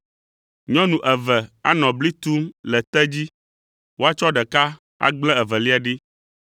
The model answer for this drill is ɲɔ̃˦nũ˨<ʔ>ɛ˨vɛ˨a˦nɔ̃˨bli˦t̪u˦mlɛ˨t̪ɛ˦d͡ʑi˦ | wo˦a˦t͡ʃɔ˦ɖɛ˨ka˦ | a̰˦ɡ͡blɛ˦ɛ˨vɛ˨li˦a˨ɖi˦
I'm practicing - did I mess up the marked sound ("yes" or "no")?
no